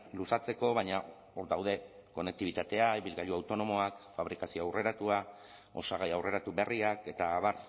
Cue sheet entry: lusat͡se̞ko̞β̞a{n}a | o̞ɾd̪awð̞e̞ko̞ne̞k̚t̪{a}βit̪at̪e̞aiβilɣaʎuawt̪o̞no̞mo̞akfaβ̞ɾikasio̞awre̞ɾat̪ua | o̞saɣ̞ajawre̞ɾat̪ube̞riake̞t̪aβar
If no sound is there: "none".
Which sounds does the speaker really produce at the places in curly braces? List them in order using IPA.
ɲ, i

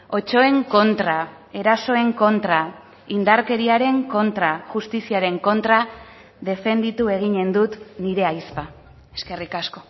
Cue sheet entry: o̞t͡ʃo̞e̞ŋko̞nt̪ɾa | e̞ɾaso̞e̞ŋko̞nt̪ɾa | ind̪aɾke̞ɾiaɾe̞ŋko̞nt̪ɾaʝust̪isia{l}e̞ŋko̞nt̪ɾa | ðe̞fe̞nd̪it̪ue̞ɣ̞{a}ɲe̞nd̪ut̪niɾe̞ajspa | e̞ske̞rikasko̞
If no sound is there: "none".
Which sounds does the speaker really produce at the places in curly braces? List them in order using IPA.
ɾ, i

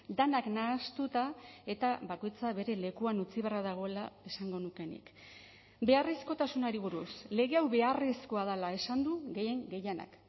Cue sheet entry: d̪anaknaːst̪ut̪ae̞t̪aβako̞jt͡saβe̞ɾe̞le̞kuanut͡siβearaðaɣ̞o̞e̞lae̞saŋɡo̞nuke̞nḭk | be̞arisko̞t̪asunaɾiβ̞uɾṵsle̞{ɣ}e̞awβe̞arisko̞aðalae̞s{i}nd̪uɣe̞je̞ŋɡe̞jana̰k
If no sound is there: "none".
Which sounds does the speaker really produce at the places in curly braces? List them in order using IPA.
ɣ, a

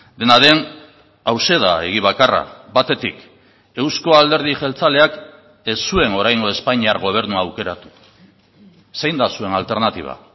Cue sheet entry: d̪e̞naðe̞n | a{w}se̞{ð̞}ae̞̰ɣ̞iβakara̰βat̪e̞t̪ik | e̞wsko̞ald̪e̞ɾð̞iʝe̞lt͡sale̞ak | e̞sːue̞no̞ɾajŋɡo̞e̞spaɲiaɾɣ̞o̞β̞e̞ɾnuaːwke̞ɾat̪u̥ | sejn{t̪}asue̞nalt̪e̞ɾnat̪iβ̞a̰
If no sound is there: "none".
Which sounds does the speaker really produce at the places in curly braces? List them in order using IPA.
w, ð̞, d̪

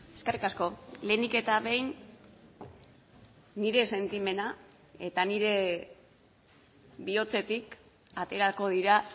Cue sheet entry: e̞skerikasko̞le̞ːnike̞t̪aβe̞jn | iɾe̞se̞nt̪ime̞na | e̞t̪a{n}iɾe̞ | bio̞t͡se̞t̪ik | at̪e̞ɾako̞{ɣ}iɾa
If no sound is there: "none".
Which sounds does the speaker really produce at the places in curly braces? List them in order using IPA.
n, ð

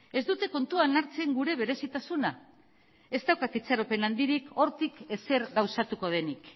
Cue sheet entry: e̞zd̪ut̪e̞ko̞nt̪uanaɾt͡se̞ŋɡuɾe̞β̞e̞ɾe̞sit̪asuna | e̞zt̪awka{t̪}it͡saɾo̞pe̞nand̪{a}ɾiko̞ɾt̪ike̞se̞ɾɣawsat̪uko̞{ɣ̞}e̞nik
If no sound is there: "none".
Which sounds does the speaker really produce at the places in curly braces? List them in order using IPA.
t̪, i, ð̞

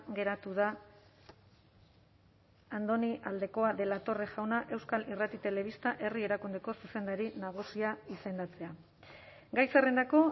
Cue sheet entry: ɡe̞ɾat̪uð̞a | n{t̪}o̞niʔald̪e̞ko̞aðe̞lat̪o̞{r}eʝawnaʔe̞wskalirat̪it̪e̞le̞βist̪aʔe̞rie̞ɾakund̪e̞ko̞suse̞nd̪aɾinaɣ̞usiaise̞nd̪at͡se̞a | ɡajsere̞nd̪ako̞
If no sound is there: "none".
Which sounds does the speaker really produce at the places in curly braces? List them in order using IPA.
d̪, r

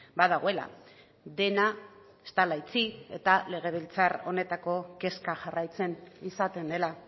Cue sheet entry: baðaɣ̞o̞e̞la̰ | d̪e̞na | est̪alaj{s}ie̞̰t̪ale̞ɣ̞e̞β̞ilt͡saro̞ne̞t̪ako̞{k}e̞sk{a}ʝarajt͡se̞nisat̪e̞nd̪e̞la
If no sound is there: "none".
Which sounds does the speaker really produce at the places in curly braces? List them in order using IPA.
t͡s, k, a

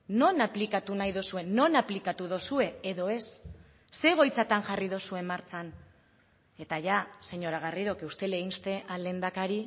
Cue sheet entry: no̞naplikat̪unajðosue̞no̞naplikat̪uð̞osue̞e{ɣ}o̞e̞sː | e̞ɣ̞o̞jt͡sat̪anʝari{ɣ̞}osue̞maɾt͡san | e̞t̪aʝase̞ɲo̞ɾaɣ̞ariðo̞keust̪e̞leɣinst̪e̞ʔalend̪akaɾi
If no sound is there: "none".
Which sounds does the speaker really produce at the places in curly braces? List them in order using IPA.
ð, ð̞

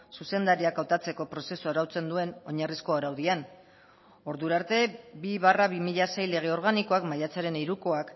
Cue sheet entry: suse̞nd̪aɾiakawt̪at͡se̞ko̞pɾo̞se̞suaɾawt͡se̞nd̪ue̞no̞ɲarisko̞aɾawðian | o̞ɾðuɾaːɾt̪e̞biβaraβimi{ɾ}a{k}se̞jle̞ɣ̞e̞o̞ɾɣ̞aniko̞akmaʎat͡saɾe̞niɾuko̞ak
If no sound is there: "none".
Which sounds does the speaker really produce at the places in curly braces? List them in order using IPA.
ʎ, none

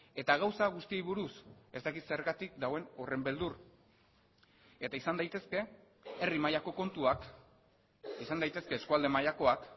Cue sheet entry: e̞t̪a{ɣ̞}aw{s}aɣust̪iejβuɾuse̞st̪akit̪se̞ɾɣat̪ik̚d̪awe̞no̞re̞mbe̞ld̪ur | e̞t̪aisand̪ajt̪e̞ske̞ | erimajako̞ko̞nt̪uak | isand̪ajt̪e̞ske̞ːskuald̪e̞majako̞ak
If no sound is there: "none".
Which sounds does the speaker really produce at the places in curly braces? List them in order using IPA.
ɣ̞, s

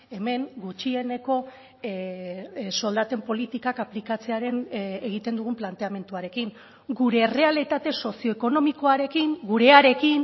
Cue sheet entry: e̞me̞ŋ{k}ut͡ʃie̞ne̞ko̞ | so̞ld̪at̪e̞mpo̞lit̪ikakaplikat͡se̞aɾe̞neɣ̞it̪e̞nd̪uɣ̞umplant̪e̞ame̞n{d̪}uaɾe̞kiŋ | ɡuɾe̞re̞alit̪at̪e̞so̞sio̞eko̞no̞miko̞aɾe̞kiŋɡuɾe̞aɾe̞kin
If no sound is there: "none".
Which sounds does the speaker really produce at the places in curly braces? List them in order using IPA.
ɡ, t̪

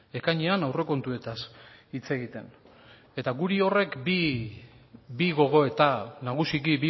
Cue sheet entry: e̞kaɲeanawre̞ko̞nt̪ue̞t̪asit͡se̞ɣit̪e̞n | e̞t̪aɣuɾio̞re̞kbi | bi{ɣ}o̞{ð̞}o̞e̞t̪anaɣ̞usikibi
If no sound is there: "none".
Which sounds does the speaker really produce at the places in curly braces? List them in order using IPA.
ɣ, ɣ̞

